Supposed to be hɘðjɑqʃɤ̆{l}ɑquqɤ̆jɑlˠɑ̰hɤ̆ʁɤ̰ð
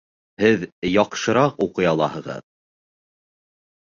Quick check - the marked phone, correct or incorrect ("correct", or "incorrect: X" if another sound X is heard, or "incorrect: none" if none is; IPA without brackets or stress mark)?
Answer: incorrect: ɾ